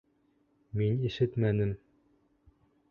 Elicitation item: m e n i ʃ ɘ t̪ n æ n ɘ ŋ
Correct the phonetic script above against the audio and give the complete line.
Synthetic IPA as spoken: m i n i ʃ ɘ t̪ m æ n ɘ m